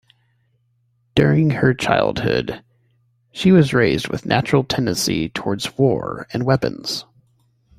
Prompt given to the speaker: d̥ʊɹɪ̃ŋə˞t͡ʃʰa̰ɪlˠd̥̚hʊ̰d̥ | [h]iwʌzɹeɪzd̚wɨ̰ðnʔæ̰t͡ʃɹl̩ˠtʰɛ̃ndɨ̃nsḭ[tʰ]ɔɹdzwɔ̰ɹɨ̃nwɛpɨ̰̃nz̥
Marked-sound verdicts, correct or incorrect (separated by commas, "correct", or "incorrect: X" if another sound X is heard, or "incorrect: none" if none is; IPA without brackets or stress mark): incorrect: ʃ, correct